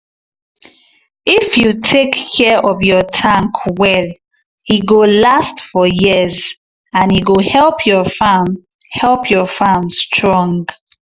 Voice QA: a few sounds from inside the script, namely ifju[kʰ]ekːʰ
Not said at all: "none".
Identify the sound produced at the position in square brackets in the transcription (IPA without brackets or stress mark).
tʰ